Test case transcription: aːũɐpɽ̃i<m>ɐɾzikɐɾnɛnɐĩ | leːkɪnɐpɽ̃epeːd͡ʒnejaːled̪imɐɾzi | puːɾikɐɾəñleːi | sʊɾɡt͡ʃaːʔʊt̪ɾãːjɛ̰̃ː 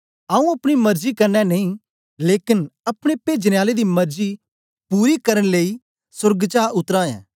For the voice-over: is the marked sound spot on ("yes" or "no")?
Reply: yes